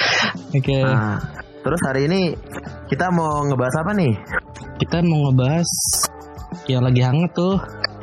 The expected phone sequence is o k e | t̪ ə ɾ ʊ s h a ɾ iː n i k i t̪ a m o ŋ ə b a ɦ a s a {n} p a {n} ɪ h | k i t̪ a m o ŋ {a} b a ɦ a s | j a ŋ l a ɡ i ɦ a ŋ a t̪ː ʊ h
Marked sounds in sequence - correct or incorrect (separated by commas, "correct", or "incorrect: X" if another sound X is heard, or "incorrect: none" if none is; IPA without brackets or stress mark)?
incorrect: none, correct, incorrect: ə